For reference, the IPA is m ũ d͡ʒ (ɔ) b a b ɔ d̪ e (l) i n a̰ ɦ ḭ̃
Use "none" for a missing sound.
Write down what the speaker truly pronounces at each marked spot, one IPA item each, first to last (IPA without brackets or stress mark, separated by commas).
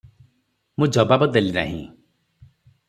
ɔ, l